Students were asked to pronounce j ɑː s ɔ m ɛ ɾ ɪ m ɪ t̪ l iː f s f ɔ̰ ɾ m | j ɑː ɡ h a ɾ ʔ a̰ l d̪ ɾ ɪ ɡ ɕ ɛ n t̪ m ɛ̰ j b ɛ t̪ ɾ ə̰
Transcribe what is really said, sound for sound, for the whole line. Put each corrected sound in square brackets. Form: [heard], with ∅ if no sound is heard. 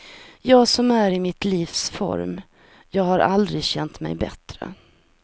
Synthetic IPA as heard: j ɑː s ɔ m [æ] ɾ ɪ m ɪ t̪ l iː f s f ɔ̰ ɾ m | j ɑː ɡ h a ɾ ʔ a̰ l d̪ ɾ ɪ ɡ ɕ ɛ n t̪ m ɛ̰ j b ɛ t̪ ɾ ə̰